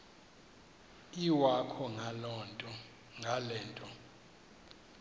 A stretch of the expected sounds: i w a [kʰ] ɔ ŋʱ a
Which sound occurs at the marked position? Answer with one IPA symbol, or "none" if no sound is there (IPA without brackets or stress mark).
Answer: kʰ